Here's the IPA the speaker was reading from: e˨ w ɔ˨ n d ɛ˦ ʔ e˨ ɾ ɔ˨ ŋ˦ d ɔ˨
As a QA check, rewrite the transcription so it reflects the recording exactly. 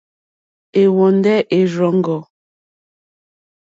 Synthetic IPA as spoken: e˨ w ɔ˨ n d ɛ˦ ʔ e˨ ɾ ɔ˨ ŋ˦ ɡ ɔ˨